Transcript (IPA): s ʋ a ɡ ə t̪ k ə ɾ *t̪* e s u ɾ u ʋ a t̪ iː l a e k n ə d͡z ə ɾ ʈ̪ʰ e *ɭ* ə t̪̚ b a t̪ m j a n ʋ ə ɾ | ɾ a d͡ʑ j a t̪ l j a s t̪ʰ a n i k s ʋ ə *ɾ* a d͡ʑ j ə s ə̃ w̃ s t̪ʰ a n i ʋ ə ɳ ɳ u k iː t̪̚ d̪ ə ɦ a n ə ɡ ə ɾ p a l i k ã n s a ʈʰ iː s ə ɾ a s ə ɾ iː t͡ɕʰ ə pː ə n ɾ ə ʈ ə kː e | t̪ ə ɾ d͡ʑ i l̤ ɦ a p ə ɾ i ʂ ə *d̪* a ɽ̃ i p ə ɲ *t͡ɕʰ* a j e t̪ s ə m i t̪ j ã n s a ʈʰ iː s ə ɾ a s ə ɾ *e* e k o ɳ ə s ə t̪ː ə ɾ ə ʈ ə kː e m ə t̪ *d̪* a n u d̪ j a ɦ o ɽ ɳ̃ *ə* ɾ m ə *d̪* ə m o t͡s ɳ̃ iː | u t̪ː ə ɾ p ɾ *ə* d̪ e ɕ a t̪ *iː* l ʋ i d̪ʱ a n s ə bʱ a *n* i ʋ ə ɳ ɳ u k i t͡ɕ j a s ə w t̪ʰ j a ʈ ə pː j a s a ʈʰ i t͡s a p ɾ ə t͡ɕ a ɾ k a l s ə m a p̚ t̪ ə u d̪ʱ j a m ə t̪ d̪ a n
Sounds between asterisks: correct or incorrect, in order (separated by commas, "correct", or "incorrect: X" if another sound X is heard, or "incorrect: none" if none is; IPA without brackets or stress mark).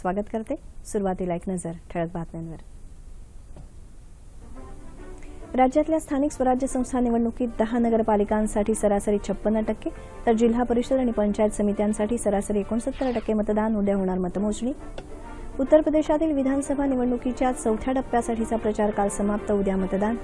correct, correct, correct, correct, incorrect: t͡ɕ, incorrect: i, correct, incorrect: a, incorrect: t̪, correct, correct, correct